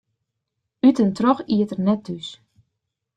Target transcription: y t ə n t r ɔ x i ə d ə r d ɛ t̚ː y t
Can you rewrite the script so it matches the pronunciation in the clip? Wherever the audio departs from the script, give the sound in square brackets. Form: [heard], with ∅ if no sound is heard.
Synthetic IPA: y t ə n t r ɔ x i ə [t] ə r [n] ɛ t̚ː y [s]